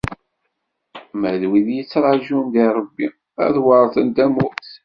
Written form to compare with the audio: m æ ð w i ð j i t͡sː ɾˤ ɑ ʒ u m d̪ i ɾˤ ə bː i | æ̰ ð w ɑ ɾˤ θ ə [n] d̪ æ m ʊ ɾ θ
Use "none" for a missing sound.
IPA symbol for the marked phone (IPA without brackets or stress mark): n